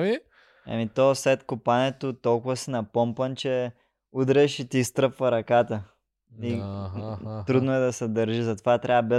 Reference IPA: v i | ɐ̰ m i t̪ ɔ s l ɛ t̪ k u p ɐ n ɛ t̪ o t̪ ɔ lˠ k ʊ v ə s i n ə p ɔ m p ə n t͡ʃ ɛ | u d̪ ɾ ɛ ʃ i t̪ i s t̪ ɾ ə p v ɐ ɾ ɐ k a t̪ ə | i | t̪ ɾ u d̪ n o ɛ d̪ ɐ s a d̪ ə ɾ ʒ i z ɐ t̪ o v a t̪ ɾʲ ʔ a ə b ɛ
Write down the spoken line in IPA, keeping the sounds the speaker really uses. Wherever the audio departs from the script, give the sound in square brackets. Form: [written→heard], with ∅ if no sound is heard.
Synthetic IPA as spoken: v i | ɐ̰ m i t̪ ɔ s l ɛ t̪ k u p [ɐ→a] n ɛ t̪ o t̪ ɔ lˠ k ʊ v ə s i n [ə→ɐ] p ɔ m p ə n t͡ʃ ɛ | u d̪ ɾ ɛ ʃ i t̪ i s t̪ ɾ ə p v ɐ ɾ ɐ k a t̪ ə | i | t̪ ɾ u d̪ n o ɛ d̪ ɐ s [a→ɛ] d̪ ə ɾ ʒ i z ɐ t̪ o v a t̪ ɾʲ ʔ a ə b ɛ